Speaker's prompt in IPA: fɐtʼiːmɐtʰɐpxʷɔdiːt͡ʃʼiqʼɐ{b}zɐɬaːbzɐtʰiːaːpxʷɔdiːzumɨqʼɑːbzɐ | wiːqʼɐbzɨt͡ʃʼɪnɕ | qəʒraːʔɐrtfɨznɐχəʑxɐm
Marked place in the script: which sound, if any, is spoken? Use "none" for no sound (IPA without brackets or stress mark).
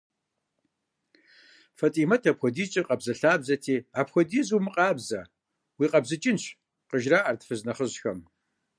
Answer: b